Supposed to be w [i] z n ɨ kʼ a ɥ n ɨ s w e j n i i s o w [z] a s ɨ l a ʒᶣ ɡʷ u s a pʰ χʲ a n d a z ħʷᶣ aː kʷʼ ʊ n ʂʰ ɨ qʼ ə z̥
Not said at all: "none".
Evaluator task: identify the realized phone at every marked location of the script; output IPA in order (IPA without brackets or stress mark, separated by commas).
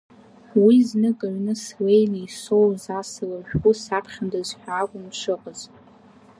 i, z